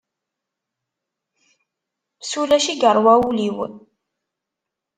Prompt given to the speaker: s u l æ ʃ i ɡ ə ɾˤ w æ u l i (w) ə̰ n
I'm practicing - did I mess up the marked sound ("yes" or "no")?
no